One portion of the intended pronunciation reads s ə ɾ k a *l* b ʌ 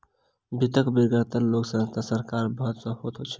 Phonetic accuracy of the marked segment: incorrect: ɾ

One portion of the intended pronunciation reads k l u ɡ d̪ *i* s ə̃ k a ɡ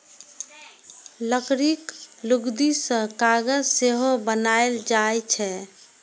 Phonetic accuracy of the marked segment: correct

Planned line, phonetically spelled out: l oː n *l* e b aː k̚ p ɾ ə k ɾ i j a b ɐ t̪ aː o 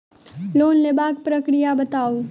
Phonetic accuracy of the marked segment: correct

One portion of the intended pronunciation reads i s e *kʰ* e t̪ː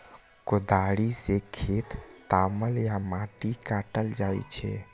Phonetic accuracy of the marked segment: correct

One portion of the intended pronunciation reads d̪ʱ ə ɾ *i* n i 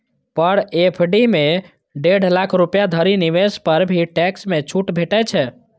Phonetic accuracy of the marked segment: correct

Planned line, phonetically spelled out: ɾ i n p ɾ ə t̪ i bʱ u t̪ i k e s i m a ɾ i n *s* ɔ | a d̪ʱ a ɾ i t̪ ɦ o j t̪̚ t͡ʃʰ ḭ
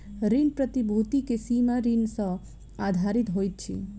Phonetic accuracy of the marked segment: correct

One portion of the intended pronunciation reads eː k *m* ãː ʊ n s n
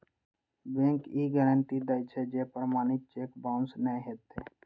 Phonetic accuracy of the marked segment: incorrect: b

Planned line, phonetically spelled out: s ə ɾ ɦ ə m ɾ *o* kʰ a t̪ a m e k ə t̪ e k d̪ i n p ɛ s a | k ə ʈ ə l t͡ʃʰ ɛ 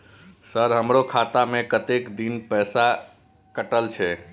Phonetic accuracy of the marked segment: correct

